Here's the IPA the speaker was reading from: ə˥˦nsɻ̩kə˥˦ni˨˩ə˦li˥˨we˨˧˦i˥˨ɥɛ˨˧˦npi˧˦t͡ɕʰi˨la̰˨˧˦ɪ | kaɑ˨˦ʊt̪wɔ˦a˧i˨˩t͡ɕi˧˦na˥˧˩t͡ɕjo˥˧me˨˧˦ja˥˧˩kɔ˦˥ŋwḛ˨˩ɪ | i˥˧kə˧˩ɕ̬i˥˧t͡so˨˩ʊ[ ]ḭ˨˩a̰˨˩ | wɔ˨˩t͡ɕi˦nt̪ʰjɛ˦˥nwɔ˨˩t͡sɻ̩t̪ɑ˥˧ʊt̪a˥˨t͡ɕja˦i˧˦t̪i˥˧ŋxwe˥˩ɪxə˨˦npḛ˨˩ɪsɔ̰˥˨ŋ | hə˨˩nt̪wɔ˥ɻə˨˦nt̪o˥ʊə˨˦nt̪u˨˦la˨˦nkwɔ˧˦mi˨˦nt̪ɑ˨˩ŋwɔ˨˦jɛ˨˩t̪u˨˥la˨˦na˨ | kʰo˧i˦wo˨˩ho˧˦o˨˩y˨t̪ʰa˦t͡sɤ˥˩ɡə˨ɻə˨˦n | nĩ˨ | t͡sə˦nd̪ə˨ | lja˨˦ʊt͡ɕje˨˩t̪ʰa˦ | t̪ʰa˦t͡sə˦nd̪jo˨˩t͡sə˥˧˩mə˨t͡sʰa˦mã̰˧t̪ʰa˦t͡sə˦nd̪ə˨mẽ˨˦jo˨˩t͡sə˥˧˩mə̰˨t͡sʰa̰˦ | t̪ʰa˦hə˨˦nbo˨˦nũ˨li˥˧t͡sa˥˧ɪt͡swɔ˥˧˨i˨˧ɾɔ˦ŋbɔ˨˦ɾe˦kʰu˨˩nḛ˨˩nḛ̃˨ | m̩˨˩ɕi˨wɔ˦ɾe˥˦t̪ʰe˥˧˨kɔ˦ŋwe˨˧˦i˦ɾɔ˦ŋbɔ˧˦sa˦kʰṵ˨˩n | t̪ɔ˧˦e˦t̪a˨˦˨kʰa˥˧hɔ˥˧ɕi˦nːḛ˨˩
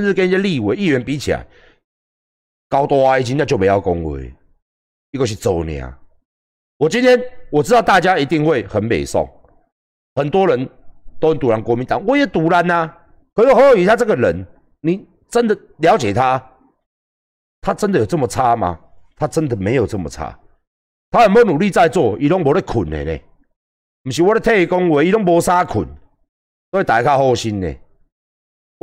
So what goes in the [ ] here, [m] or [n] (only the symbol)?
n